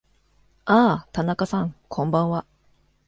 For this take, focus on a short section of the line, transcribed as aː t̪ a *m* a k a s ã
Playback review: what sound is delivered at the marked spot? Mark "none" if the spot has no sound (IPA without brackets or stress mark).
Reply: n